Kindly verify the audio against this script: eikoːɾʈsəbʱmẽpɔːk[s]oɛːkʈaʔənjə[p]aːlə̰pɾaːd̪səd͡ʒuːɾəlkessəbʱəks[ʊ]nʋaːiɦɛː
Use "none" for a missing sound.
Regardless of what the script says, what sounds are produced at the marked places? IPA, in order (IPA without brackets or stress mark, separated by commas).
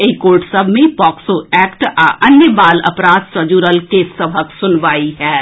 s, b, ʊ